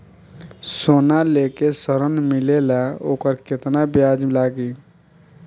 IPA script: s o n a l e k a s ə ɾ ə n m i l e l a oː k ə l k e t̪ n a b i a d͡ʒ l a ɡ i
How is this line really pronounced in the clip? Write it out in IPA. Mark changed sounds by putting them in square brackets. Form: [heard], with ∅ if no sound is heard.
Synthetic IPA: s o n a l e k [e] s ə ɾ ə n m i l e l a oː k ə [ɾ] k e t̪ n a b [j] a d͡ʒ l a ɡ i